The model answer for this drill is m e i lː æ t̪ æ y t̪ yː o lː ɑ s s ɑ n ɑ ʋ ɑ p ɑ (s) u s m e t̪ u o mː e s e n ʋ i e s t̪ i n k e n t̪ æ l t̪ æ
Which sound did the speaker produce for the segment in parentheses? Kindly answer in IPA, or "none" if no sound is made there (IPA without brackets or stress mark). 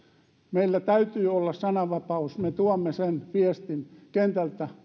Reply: none